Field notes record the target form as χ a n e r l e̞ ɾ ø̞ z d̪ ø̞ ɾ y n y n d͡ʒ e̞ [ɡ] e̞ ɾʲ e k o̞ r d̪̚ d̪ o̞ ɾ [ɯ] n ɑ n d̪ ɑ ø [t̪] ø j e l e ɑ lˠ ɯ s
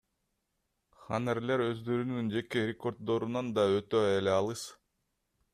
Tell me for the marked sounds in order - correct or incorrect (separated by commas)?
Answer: incorrect, incorrect, correct